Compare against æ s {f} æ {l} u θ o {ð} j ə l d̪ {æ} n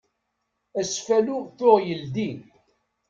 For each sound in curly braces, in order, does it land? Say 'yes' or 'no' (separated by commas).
yes, yes, no, no